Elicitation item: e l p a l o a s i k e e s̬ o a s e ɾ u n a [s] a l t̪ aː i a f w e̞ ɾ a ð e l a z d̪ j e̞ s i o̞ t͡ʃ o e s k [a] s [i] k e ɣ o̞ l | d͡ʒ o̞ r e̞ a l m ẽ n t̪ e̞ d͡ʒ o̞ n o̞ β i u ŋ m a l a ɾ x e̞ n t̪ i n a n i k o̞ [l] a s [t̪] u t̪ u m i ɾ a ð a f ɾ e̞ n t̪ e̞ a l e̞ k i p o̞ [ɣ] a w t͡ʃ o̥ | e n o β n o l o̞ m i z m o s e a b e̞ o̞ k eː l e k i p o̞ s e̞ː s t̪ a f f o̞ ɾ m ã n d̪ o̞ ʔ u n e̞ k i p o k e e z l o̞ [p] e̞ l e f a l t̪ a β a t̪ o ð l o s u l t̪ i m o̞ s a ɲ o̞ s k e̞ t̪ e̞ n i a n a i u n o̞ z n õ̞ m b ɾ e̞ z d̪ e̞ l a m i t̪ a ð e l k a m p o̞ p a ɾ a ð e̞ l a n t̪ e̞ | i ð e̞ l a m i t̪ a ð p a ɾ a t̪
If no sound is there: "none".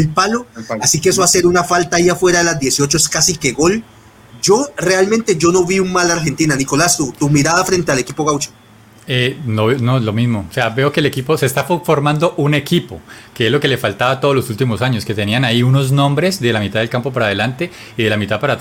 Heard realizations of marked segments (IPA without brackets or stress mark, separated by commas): f, a, i, l, t̪, ɣ, k